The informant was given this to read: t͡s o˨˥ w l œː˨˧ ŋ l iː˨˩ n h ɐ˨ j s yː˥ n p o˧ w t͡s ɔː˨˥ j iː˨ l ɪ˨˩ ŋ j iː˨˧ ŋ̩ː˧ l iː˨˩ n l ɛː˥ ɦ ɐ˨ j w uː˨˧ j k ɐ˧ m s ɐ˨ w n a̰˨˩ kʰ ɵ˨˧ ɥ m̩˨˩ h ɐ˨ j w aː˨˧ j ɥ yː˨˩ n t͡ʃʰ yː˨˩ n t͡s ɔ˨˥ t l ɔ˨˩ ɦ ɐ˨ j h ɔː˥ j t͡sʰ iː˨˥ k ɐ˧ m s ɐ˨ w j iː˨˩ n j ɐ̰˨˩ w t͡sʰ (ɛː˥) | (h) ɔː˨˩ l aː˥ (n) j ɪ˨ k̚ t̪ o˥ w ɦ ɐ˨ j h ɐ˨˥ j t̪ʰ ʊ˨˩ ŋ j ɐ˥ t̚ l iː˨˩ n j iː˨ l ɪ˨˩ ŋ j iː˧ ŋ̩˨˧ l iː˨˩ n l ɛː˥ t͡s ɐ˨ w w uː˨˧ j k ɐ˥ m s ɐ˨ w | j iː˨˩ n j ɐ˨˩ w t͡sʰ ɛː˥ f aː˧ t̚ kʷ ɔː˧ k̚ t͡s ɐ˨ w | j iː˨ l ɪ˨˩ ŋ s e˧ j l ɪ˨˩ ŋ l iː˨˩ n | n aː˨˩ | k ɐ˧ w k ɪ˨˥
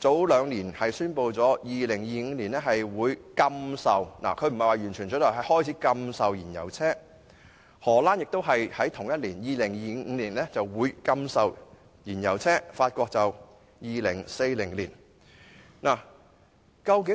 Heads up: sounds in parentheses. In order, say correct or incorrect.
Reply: correct, correct, correct

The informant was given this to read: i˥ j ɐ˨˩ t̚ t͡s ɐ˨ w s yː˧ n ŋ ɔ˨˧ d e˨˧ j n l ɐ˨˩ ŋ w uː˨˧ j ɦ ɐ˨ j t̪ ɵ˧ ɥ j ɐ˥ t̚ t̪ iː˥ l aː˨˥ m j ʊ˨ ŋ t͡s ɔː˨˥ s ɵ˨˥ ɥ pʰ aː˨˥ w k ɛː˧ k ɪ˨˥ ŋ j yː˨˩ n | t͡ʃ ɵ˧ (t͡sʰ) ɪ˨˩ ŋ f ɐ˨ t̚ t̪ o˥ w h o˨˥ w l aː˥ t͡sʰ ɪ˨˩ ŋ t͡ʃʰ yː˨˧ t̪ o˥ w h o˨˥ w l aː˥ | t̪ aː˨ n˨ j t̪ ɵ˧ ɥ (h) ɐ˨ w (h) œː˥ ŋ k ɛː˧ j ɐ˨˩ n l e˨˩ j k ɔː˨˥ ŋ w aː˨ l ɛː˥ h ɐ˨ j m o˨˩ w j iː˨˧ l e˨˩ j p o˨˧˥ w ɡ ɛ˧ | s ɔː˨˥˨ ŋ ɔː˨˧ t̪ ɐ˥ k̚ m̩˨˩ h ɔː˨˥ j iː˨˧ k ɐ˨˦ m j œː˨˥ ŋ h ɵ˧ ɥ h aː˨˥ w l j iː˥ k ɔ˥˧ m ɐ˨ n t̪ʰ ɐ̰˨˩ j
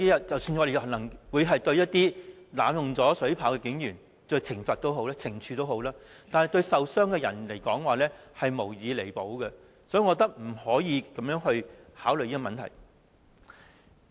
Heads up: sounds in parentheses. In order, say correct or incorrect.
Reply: correct, incorrect: s, incorrect: s

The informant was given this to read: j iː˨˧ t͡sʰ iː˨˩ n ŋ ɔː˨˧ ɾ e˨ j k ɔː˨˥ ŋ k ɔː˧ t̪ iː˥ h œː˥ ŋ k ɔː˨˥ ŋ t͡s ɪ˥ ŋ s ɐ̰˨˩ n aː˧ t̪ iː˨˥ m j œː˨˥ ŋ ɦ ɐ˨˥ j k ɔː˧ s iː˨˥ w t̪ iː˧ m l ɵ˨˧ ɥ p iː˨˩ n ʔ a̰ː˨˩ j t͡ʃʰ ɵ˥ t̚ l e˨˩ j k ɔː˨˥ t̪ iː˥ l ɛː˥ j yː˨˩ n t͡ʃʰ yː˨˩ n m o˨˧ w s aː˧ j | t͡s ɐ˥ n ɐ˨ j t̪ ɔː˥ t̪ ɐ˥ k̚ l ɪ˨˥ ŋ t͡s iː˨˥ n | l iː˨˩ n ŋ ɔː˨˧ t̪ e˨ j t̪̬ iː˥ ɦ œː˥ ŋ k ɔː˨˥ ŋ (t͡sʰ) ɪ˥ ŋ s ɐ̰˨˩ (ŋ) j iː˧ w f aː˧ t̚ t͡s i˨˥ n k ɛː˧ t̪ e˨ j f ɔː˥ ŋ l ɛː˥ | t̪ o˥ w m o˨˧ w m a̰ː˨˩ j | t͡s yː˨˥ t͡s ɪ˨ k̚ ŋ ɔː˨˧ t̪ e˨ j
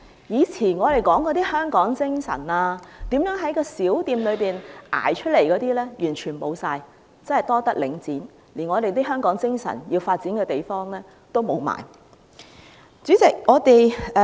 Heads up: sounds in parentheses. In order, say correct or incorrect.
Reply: incorrect: t͡s, incorrect: n

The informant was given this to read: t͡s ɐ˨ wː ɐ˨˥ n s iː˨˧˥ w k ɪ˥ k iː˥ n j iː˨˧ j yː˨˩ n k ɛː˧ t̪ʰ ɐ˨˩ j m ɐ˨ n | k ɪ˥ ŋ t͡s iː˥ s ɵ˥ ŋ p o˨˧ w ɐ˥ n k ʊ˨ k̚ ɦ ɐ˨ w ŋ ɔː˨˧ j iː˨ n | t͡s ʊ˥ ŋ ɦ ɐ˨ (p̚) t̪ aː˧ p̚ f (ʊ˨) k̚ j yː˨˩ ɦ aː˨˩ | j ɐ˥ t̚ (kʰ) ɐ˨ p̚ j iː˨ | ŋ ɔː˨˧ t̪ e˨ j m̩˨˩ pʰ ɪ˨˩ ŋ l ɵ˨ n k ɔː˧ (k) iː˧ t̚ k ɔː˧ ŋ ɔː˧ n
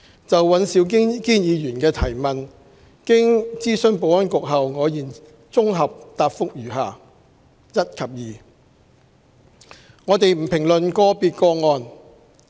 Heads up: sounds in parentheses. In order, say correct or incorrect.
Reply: correct, incorrect: ʊ˥, correct, incorrect: p

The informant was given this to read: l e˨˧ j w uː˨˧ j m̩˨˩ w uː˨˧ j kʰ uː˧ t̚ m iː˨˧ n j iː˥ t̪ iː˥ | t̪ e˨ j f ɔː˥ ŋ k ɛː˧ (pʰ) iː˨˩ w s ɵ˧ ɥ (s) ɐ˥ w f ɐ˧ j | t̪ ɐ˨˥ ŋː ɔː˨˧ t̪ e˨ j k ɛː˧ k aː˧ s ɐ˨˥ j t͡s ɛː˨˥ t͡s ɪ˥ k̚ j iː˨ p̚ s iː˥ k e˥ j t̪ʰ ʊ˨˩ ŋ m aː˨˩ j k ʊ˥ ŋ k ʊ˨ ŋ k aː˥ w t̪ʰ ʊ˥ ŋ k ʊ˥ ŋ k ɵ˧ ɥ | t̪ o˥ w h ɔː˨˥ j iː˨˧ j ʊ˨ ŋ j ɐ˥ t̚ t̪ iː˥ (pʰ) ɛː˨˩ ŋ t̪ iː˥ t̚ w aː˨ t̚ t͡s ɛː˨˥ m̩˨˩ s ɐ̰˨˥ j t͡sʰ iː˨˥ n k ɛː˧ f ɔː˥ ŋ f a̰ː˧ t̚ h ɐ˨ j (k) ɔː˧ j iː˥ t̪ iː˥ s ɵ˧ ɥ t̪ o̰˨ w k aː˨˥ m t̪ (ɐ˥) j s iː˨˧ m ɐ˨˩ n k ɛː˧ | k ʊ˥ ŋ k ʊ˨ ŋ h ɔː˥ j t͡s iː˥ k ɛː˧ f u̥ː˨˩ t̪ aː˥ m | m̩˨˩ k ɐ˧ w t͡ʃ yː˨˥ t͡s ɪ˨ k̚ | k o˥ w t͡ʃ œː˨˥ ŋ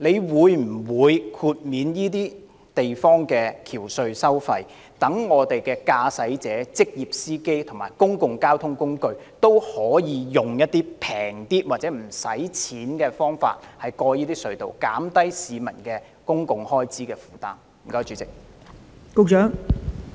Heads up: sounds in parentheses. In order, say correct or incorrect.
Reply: incorrect: kʰ, correct, correct, correct, correct

